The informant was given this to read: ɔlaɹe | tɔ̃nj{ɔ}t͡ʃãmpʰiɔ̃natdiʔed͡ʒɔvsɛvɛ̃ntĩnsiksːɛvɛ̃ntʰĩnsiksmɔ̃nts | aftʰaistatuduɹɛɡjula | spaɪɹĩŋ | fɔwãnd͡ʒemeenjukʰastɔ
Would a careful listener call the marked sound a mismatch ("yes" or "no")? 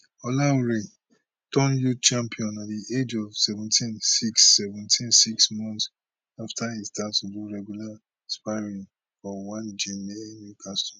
yes